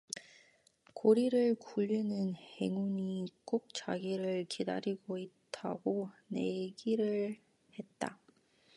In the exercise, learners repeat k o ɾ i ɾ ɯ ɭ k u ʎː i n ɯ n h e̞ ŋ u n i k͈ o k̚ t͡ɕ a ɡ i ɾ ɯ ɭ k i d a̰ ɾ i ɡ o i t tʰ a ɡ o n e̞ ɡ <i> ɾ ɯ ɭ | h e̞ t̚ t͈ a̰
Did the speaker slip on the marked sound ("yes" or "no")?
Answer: no